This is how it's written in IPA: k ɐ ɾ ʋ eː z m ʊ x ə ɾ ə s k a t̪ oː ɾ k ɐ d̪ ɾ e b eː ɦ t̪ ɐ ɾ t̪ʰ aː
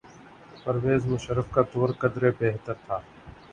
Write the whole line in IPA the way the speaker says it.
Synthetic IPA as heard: p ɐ ɾ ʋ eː z m ʊ ʃ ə ɾ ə f k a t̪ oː ɾ k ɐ d̪ ɾ e b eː ɦ t̪ ə ɾ t̪ʰ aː

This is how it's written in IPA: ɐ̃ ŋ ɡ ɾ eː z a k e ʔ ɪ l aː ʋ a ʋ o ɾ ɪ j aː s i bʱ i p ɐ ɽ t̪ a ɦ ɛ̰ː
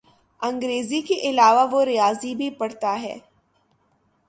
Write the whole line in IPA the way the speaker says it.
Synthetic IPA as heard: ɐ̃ ŋ ɡ ɾ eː z i k e ʔ ɪ l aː ʋ a ʋ o ɾ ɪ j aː z i bʱ i p ɐ ɽ t̪ a ɦ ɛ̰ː

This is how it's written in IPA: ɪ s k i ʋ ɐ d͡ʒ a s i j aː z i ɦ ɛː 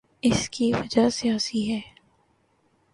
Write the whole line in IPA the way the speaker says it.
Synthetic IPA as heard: ɪ s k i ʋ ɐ d͡ʒ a s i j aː s i ɦ ɛː

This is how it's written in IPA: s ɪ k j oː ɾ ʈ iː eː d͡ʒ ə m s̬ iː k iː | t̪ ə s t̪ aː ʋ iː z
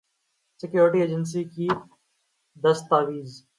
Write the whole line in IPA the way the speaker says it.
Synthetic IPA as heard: s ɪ k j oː ɾ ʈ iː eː d͡ʒ ə n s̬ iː k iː | d̪ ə s t̪ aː ʋ iː z

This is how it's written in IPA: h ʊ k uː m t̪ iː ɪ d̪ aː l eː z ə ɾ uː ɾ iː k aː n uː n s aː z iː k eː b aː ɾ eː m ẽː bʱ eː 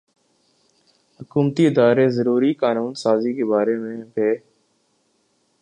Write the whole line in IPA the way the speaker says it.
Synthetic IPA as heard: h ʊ k uː m t̪ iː ɪ d̪ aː ɾ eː z ə ɾ uː ɾ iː k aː n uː n s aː z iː k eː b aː ɾ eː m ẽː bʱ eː

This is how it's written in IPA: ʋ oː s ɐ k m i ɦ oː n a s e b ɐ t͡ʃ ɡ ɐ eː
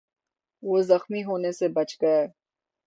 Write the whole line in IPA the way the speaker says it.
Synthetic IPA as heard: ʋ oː z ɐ x m i ɦ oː n e s e b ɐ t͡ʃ ɡ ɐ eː

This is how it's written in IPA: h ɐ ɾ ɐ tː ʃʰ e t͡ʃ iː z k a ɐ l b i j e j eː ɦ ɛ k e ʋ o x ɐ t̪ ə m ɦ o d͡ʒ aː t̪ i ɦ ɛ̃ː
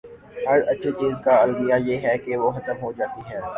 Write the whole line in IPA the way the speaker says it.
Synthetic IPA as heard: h ɐ ɾ ɐ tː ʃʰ e t͡ʃ iː z k a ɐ l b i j a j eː ɦ ɛ k e ʋ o x ɐ t̪ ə m ɦ o d͡ʒ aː t̪ i ɦ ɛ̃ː

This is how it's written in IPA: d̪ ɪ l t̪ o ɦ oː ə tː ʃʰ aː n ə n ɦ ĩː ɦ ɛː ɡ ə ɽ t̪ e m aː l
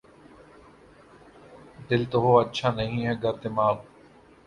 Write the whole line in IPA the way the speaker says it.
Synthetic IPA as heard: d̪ ɪ l t̪ o ɦ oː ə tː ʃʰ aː n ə ɦ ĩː ɦ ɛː ɡ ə ɾ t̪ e m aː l

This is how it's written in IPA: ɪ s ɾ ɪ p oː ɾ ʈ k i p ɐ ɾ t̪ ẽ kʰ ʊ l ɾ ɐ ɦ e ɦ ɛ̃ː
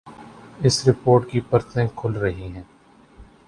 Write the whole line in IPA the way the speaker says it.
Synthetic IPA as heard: ɪ s ɾ ɪ p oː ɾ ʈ k i p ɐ ɾ t̪ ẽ kʰ ʊ l ɾ ɐ ɦ i ɦ ɛ̃ː

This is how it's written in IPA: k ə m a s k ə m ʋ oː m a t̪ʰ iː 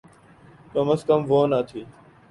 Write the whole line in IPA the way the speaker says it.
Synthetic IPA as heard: k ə m ə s k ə m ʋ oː n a t̪ʰ iː

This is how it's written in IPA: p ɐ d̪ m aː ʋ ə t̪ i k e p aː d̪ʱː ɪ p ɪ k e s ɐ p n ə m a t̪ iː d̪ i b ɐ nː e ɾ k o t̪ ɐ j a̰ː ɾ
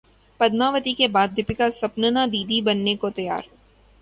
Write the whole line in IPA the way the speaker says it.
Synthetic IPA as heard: p ɐ d̪ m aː ʋ ə t̪ i k e b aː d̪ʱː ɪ p ɪ k a s ɐ p n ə n a d̪ iː d̪ i b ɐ nː e k o t̪ ɐ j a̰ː ɾ

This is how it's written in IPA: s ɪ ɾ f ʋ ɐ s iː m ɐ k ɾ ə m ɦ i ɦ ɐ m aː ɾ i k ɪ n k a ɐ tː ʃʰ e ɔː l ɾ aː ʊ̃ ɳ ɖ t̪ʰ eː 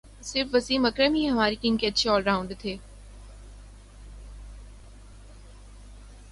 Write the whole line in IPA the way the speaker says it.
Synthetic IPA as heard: s ɪ ɾ f ʋ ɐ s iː m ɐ k ɾ ə m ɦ i ɦ ɐ m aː ɾ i k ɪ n k e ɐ tː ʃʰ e ɔː l ɾ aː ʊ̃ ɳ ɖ t̪ʰ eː

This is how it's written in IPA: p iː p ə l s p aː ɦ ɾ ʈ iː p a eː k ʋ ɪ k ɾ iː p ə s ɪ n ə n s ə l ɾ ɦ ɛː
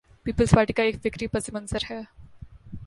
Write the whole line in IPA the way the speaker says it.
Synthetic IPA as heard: p iː p ə l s p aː ɾ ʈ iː k a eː k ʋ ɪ k ɾ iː p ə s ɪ m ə n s ə ɾ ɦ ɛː

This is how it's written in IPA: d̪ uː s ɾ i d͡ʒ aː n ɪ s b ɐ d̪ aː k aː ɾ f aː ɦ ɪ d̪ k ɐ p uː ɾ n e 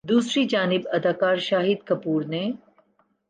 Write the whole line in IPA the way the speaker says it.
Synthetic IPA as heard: d̪ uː s ɾ i d͡ʒ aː n ɪ b ɐ d̪ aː k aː ɾ ʃ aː ɦ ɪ d̪ k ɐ p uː ɾ n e

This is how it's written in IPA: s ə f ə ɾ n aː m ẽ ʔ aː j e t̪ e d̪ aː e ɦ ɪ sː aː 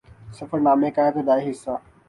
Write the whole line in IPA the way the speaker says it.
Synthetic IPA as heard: s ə f ə ɾ n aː m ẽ k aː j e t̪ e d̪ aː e ɦ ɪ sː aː

